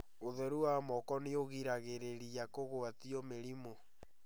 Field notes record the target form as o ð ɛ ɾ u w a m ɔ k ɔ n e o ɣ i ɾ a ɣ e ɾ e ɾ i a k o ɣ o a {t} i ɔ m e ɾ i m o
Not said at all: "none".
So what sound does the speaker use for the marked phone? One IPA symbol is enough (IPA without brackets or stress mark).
t